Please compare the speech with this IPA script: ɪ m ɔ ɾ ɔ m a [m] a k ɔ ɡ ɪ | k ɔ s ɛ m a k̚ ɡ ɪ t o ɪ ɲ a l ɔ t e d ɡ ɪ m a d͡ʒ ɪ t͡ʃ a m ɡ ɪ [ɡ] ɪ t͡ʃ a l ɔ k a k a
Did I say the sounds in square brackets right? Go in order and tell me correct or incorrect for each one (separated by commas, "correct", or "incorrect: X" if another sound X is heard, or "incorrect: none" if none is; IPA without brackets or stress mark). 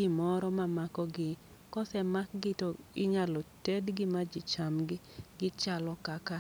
correct, correct